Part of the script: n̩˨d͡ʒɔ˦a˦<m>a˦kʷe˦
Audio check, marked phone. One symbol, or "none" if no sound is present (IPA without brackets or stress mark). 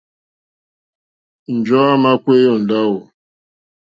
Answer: m